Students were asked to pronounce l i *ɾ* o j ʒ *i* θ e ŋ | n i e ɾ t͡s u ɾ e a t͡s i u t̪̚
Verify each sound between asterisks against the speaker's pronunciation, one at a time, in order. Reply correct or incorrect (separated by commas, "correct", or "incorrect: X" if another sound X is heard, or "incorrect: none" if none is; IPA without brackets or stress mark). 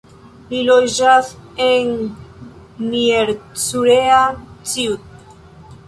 incorrect: l, incorrect: a